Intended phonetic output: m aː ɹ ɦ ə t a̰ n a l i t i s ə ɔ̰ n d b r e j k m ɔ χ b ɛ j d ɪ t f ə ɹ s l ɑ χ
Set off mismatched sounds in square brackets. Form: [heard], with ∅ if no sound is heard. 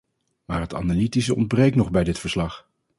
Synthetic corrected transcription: m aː ɹ ɦ ə t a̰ n a l i t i s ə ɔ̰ n d b r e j k [n] ɔ χ b ɛ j d ɪ t f ə ɹ s l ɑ χ